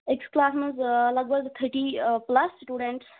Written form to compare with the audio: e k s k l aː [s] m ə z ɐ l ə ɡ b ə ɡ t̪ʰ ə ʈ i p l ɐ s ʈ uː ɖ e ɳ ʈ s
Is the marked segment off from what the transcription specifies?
no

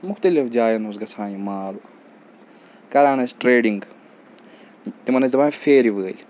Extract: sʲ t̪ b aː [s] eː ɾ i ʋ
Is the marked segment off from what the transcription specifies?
yes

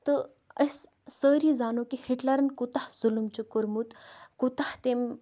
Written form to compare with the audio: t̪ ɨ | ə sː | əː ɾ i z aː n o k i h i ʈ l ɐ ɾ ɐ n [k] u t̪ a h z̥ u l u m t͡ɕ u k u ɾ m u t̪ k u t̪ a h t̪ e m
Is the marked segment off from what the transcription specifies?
no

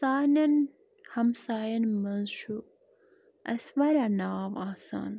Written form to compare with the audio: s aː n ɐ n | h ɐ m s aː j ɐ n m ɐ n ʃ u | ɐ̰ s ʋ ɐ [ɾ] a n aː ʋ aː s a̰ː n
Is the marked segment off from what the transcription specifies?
no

